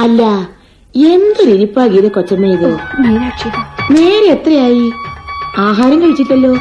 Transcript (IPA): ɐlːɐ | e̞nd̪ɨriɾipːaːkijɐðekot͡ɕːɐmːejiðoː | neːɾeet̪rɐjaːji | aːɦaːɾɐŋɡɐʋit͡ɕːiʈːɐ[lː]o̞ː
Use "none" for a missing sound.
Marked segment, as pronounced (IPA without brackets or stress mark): lː